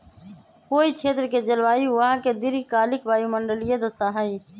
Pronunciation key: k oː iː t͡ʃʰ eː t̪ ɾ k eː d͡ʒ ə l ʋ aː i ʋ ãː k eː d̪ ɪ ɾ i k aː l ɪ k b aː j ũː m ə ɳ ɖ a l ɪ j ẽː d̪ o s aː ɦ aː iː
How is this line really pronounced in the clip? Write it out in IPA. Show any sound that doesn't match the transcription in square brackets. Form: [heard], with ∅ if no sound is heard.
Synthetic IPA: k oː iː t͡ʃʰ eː t̪ ɾ k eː d͡ʒ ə l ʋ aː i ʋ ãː k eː d̪ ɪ ɾ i k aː l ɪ k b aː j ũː m ə ɳ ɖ [ə] l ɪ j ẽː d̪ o s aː ɦ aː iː

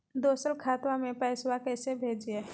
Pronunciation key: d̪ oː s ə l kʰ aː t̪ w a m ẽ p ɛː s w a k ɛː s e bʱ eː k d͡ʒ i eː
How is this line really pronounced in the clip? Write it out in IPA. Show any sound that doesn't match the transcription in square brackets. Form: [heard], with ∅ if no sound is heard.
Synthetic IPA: d̪ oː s ə l kʰ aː t̪ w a m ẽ p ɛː s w a k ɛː s e bʱ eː [∅] d͡ʒ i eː

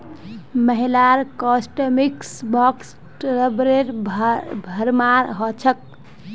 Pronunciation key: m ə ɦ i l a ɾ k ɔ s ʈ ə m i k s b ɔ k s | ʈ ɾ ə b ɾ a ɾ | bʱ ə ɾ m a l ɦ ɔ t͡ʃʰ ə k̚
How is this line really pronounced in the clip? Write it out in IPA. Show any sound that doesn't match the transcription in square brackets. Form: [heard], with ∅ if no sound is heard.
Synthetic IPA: m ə ɦ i l a ɾ k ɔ s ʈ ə m i k s b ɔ k s | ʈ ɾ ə b ɾ [e] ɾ | bʱ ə ɾ m a [ɾ] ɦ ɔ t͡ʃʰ ə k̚

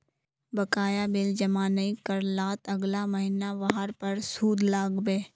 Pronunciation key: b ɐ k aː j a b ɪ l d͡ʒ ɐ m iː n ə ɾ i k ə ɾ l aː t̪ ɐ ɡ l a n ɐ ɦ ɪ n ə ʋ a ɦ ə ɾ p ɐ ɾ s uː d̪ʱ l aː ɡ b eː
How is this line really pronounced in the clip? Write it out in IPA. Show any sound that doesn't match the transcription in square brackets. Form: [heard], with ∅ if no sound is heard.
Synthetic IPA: b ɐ k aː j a b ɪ l d͡ʒ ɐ m [aː] n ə [∅] i k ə ɾ l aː t̪ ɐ ɡ l a [m] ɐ ɦ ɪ n [a] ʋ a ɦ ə ɾ p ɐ ɾ s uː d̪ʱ l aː ɡ b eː

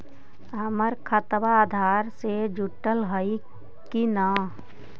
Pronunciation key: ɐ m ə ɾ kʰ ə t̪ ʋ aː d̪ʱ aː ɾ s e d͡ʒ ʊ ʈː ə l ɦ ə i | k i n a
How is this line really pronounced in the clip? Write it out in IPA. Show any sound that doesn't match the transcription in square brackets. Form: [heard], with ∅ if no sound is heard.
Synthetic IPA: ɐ m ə ɾ kʰ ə t̪ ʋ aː d̪ʱ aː ɾ s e d͡ʒ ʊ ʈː ə l ɦ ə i | k i n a

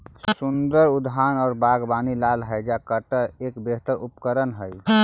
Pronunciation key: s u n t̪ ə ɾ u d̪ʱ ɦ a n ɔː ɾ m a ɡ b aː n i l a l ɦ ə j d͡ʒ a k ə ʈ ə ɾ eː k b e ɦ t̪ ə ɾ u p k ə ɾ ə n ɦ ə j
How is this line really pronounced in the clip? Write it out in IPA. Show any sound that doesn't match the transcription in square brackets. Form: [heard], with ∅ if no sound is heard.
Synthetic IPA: s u n [d̪] ə ɾ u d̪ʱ ɦ a n ɔː ɾ [b] a ɡ b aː n i l a l ɦ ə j d͡ʒ a k ə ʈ ə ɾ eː k b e ɦ t̪ ə ɾ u p k ə ɾ ə n ɦ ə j

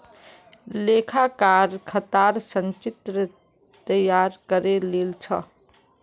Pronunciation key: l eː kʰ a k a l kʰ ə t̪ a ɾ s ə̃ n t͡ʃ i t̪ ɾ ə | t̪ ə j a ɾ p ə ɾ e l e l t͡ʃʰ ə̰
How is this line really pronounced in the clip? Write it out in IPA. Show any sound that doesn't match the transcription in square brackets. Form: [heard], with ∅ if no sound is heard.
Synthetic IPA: l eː kʰ a k a [ɾ] kʰ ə t̪ a ɾ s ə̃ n t͡ʃ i t̪ ɾ ə | t̪ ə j a ɾ [k] ə ɾ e l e l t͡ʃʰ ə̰

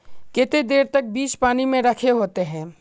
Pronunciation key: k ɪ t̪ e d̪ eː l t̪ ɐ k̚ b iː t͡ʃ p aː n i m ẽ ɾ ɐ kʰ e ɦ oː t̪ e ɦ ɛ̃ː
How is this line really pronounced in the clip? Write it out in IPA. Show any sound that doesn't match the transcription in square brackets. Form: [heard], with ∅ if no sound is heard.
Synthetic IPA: k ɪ t̪ e d̪ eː [ɾ] t̪ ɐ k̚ b iː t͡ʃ p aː n i m ẽ ɾ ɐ kʰ e ɦ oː t̪ e ɦ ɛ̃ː

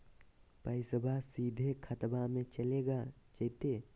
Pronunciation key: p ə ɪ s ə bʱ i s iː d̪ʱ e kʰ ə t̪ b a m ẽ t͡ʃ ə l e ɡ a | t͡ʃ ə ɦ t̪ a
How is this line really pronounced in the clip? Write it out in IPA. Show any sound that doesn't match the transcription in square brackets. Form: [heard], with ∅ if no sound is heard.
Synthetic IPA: p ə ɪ s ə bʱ [a] s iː d̪ʱ e kʰ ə t̪ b a m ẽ t͡ʃ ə l e ɡ a | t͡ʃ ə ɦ t̪ [e]

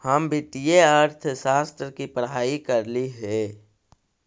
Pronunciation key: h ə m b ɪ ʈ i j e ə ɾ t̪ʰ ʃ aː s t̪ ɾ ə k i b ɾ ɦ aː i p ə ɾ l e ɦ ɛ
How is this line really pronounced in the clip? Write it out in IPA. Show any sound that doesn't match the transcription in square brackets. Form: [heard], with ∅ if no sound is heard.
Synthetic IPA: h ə m b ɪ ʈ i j e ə ɾ t̪ʰ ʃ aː s t̪ ɾ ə k i [p] ɾ ɦ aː i [k] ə ɾ l [i] ɦ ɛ

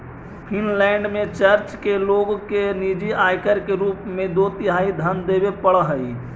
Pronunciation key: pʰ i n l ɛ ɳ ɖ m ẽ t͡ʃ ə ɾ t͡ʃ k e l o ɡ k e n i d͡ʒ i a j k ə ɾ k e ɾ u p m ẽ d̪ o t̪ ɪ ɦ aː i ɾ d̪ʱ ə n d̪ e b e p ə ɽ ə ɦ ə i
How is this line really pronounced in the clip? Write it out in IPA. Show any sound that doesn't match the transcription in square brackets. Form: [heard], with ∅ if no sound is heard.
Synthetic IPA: pʰ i n l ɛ ɳ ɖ m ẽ t͡ʃ ə ɾ t͡ʃ k e l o ɡ k e n i d͡ʒ i a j k ə ɾ k e ɾ u p m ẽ d̪ o t̪ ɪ ɦ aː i [∅] d̪ʱ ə n d̪ e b e p ə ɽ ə ɦ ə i

